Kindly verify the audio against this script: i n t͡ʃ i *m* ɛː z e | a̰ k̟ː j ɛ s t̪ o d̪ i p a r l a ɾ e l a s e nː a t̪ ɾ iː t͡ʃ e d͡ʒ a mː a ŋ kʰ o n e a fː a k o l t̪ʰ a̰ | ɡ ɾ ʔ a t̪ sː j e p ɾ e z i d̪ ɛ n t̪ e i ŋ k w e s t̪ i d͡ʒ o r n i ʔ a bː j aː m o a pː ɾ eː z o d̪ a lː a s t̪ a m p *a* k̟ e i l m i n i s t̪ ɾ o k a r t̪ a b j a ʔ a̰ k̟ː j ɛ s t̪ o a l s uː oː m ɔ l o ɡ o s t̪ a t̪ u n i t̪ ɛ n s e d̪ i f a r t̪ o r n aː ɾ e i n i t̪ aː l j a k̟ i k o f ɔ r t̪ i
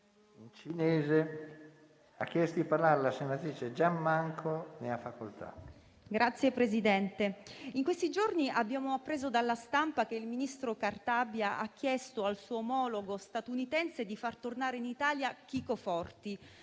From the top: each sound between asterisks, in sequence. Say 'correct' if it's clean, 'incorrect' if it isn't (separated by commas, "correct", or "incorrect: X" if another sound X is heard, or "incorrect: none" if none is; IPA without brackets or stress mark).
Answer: incorrect: n, correct